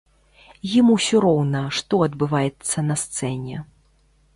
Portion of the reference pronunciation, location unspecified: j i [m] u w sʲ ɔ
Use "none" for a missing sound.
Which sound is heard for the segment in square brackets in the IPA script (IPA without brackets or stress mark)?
m